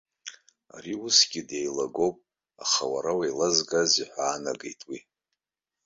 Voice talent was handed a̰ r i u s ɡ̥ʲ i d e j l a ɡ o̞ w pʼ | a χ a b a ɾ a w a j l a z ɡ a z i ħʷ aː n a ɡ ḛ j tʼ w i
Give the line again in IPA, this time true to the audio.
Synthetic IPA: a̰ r i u s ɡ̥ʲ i d e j l a ɡ o̞ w pʼ | a χ a w a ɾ a w a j l a z ɡ a z i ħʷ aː n a ɡ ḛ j tʼ w i

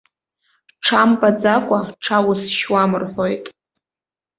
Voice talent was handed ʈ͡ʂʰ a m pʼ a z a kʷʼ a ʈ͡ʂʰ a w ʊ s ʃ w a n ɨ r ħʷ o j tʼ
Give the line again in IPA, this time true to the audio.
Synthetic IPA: ʈ͡ʂʰ a m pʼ a d͡z a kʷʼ a ʈ͡ʂʰ a w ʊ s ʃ w a m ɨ r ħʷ o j tʼ

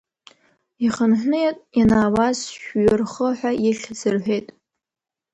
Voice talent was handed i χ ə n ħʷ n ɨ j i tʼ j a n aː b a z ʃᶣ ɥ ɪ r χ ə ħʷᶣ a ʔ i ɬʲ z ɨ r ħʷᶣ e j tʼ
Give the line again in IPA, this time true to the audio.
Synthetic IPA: i χ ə n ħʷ n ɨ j a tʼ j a n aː w a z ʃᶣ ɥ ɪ r χ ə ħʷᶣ a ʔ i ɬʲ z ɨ r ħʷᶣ e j tʼ

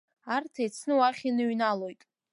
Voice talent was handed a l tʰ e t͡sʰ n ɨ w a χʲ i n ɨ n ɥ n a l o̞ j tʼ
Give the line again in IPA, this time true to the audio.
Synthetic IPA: a r tʰ e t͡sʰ n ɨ w a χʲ i n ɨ ɥ n a l o̞ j tʼ

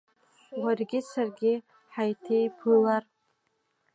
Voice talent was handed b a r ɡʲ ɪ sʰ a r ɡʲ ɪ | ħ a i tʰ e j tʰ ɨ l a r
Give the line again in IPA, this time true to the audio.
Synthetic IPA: w a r ɡʲ ɪ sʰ a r ɡʲ ɪ | ħ a j tʰ e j pʰ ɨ l a r

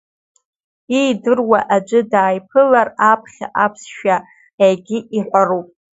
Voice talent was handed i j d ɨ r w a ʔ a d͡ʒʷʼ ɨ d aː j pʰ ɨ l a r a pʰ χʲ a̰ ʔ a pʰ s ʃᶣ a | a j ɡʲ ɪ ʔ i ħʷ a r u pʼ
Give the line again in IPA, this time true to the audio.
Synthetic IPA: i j d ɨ r w a ʔ a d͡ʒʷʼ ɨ d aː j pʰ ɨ l a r a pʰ χʲ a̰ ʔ a pʰ s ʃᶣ a | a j ɡʲ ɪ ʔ i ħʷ a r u pʼ

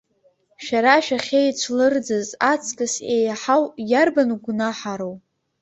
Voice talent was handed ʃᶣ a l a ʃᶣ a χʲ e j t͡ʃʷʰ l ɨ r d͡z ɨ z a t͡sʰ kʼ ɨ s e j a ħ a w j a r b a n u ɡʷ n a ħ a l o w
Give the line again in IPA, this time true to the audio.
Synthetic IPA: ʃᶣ a ɾ a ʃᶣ a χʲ e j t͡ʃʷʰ l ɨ r d͡z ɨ z a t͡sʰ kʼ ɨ s e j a ħ a w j a r b a n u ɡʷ n a ħ a ɾ o w

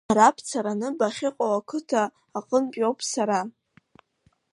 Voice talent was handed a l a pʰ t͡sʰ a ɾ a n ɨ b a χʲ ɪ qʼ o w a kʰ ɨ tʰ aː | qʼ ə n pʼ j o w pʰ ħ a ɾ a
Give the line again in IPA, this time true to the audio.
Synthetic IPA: a ɾ a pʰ t͡sʰ a ɾ a n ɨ b a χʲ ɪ qʼ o w a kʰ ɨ tʰ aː | qʼ ə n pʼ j o w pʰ s a ɾ a

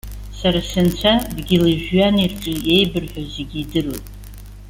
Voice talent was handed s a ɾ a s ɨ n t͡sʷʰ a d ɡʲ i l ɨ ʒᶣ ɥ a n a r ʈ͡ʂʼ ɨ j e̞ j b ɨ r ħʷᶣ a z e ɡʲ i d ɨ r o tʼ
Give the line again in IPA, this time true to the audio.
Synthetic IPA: s a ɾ a s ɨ n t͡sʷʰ a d ɡʲ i l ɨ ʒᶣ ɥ a n i r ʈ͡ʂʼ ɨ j e̞ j b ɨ r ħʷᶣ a z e ɡʲ i d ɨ r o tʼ

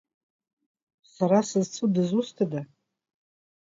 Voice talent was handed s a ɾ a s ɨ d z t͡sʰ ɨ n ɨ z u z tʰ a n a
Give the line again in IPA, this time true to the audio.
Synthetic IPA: s a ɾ a s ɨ z t͡sʰ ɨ d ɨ z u s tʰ a d a

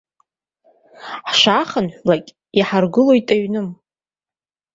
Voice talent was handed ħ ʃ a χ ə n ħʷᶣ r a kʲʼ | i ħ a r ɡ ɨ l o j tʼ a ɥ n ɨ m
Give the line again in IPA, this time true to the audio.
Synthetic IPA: ħ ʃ a χ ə n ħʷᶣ l a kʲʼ | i ħ a r ɡ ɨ l o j tʼ a ɥ n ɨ m

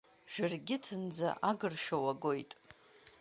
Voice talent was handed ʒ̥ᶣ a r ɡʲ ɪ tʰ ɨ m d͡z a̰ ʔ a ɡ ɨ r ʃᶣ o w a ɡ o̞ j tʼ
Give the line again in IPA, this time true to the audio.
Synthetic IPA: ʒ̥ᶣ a r ɡʲ ɪ tʰ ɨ n d͡z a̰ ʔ a ɡ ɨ r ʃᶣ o w a ɡ o̞ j tʼ

